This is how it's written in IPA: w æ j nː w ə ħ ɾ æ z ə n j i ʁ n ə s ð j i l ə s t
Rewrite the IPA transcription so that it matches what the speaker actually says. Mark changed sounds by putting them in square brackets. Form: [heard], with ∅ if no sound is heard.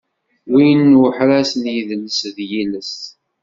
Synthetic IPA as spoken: w [i] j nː w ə ħ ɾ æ [s] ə n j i [ð] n ə s ð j i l ə s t